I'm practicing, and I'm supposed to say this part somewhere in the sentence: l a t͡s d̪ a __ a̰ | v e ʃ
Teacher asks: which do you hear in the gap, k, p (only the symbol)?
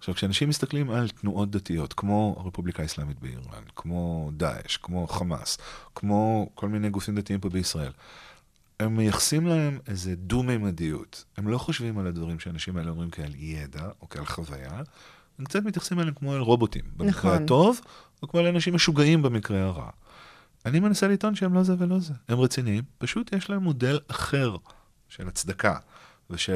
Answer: k